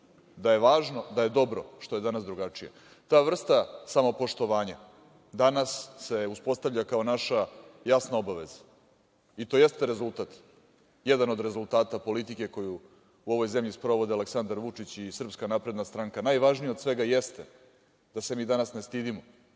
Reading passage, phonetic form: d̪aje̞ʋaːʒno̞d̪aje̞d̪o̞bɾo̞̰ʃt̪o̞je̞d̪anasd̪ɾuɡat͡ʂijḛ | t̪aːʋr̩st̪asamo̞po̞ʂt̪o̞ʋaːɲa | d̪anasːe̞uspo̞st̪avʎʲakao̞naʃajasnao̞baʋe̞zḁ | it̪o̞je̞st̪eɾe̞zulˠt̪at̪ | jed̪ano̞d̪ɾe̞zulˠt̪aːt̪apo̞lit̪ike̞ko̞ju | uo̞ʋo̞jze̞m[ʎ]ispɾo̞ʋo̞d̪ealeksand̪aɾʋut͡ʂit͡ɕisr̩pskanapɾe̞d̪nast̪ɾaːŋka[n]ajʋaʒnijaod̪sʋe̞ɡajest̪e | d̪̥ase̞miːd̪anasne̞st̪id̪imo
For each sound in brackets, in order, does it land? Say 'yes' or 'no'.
yes, yes

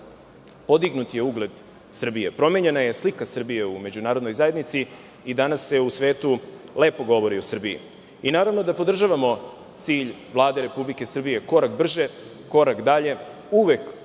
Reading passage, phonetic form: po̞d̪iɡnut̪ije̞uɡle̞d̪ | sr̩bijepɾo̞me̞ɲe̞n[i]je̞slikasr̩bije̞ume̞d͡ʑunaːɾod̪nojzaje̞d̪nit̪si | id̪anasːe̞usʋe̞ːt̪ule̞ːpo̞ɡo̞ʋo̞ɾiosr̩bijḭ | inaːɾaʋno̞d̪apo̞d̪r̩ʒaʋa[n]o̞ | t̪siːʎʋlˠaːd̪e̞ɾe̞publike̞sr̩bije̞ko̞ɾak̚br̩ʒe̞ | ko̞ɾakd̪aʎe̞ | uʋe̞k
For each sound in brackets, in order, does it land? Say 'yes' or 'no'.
no, no

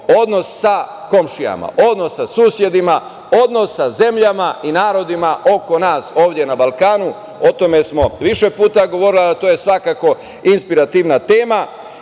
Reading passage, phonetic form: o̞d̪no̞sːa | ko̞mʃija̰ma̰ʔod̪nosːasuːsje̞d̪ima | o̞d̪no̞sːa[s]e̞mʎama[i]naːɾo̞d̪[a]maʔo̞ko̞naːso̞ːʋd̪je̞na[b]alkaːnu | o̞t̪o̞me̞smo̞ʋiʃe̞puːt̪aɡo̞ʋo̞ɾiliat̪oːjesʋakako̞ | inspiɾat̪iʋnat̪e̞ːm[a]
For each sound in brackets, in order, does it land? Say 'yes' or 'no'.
no, yes, no, yes, yes

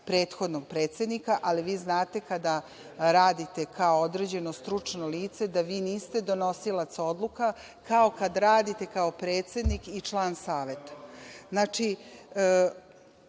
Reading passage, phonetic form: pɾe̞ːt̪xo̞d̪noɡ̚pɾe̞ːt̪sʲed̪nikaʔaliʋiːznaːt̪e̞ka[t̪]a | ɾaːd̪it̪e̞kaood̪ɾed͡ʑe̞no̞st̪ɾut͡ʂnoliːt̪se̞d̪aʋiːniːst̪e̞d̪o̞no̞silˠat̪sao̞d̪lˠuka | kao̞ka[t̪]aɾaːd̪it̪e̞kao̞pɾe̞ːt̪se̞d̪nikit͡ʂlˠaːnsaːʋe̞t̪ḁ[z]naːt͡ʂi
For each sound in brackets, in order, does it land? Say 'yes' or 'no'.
no, no, yes

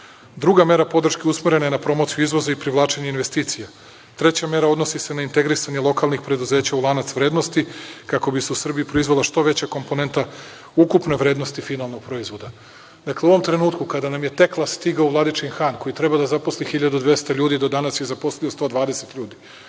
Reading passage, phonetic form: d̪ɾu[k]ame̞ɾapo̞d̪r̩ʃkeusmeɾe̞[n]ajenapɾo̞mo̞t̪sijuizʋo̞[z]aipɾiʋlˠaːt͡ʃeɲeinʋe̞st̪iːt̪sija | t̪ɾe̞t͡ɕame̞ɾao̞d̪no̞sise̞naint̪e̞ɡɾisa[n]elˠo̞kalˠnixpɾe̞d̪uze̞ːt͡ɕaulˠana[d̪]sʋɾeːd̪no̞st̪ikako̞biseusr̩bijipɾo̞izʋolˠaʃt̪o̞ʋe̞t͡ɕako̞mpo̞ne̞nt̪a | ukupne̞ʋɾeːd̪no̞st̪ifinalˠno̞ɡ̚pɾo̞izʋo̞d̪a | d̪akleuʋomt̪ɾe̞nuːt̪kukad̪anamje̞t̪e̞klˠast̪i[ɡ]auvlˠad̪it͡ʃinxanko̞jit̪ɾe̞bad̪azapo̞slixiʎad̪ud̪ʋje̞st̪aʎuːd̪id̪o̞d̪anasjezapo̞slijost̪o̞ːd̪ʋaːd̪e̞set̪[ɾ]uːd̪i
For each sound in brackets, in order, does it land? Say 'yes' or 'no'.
no, yes, yes, no, no, yes, no

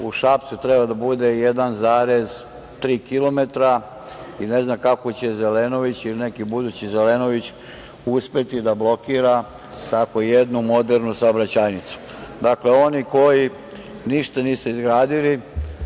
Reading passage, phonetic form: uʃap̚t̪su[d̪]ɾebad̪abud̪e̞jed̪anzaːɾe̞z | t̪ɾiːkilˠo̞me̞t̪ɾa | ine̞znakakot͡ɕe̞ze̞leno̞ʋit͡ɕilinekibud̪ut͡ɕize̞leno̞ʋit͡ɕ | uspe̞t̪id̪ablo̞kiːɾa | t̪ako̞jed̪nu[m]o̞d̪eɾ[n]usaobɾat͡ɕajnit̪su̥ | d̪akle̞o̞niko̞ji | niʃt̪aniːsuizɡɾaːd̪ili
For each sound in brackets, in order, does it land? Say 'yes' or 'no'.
no, yes, yes

